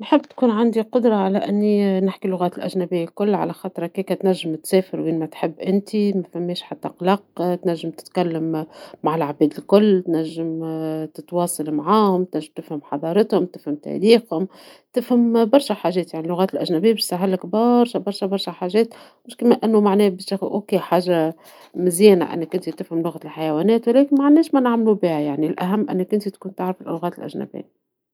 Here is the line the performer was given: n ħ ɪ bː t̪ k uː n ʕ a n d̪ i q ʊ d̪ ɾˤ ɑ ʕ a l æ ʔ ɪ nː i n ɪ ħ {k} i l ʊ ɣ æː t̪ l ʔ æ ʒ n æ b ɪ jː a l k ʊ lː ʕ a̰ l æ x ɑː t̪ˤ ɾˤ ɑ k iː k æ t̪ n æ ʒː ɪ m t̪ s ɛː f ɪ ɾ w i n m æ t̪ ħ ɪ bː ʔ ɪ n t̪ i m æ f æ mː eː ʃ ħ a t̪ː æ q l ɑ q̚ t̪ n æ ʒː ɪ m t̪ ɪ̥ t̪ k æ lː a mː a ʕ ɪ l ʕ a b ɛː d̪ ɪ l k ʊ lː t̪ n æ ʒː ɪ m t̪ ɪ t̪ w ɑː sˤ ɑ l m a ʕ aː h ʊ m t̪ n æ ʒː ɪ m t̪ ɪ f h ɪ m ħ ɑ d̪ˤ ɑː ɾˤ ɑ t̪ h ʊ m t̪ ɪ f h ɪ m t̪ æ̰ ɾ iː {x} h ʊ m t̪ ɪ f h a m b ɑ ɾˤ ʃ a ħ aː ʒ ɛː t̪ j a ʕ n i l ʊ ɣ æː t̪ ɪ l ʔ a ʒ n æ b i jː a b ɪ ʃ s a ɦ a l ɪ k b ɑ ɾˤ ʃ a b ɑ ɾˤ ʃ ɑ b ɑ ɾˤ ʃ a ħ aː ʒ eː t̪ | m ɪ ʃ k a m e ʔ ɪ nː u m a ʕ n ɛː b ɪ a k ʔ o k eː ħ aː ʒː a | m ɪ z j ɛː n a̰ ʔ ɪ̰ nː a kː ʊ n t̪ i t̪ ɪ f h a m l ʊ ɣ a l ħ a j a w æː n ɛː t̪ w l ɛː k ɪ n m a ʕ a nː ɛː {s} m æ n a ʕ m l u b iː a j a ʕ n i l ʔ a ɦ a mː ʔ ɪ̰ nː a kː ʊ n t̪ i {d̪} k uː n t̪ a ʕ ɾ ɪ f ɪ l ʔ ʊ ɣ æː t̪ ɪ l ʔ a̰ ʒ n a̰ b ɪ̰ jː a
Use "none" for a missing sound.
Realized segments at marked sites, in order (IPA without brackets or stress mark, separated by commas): k, x, ʃ, t̪